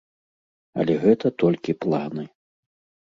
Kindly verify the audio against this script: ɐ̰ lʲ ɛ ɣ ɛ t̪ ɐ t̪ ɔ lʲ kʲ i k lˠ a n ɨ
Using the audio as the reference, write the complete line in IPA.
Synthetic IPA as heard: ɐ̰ lʲ ɛ ɣ ɛ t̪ ɐ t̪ ɔ lʲ kʲ i p lˠ a n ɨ